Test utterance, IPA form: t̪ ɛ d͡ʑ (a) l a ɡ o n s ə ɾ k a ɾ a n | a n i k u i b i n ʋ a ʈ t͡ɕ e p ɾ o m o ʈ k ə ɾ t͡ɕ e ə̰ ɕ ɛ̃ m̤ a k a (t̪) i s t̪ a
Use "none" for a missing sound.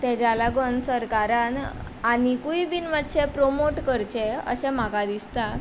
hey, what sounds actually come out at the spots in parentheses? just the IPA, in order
a, d̪

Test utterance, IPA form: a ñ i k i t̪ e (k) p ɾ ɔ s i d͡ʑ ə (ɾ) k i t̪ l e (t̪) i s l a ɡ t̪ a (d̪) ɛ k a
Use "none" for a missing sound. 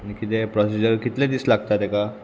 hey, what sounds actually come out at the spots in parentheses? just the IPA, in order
none, ɾ, d̪, t̪

